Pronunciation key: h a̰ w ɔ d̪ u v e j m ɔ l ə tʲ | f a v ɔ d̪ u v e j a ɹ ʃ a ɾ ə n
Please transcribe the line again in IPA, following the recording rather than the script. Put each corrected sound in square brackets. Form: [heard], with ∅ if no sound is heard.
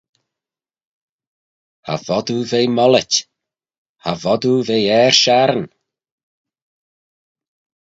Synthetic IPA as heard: h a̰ [v] ɔ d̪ u v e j m ɔ l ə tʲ | [h] a v ɔ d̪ u v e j [ɛ] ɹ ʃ a ɾ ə n